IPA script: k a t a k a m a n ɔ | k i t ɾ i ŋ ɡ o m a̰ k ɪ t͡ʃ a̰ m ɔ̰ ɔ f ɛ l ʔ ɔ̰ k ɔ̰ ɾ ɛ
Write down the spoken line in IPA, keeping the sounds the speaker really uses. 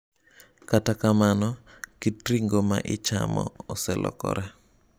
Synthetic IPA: k a t a k a m a n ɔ | k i t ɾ i ŋ ɡ o m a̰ ʔ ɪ t͡ʃ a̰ m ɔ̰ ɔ s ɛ l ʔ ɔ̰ k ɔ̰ ɾ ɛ